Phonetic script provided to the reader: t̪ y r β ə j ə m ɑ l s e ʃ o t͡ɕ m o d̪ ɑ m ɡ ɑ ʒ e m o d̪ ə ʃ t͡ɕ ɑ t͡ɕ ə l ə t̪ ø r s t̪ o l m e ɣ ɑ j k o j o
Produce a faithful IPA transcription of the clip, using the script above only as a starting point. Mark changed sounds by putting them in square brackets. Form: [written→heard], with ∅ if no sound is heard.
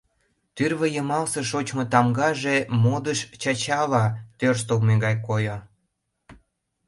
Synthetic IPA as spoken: t̪ y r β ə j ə m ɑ l s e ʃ o t͡ɕ m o [d̪→t̪] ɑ m ɡ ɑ ʒ e m o d̪ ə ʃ t͡ɕ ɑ t͡ɕ [ə→ɑ] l [ə→ɑ] t̪ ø r s t̪ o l m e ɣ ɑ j k o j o